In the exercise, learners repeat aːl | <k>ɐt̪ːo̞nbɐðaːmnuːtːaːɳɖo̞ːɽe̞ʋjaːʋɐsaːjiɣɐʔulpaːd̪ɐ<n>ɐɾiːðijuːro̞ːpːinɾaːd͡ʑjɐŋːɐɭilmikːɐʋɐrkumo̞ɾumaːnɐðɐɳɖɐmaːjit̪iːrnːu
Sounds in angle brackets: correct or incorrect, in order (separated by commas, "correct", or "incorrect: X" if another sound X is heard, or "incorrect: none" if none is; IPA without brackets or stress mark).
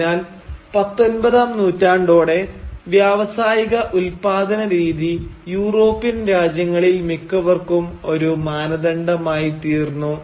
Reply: incorrect: p, correct